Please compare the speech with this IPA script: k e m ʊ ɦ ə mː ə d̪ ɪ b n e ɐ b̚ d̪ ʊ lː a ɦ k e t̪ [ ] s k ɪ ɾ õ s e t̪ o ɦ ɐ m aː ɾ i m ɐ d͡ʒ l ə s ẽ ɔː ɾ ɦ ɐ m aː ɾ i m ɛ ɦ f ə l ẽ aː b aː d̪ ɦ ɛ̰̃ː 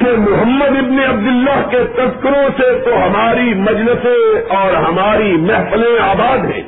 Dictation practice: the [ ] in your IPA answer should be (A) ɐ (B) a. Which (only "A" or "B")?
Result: A